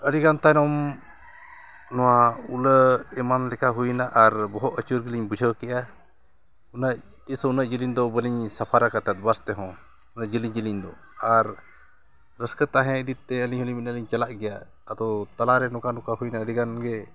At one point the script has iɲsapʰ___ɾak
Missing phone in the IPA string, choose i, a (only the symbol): a